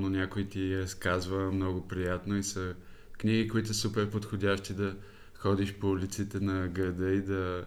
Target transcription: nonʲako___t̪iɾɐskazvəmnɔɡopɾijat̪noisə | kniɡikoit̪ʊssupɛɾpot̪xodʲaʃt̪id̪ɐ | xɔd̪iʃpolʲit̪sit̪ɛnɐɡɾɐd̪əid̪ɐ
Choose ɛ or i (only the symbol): i